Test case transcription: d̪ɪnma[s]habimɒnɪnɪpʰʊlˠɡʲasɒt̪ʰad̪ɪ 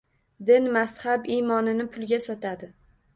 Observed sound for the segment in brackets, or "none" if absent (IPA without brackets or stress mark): s